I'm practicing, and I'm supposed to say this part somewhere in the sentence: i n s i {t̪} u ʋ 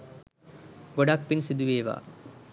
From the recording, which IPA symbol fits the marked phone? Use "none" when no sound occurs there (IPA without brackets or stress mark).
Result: d̪